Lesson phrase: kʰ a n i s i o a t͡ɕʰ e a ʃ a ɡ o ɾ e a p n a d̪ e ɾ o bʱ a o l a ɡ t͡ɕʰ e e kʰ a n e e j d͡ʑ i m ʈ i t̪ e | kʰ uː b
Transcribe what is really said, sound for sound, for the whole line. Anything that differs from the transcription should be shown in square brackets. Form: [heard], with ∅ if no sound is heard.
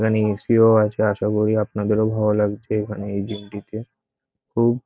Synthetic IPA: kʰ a n i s i o a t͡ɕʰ e a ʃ a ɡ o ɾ [i] a p n a d̪ e ɾ o bʱ a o l a ɡ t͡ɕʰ e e kʰ a n e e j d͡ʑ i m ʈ i t̪ e | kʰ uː b

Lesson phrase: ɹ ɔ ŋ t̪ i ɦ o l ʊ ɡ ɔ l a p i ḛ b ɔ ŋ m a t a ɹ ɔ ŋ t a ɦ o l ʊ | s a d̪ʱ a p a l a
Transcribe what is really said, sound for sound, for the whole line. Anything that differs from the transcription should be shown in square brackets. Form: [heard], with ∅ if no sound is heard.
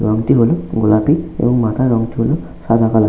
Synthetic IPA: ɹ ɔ ŋ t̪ i ɦ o l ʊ ɡ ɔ l a p i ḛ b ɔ ŋ m a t a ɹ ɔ ŋ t [i] ɦ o l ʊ | s a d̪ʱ a [k] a l a

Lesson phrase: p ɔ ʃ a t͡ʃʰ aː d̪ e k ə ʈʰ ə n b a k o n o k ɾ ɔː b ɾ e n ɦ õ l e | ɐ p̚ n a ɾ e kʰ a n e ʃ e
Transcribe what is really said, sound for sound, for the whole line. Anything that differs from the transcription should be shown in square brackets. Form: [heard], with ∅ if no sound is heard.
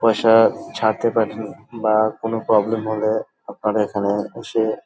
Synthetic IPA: p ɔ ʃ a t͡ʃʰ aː [t̪] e [p] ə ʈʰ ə n b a k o n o [p] ɾ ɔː b [l] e [m] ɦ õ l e | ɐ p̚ n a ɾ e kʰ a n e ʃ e

